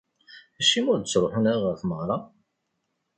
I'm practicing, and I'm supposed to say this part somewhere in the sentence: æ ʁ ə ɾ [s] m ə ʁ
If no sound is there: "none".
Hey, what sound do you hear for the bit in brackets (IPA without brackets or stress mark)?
θ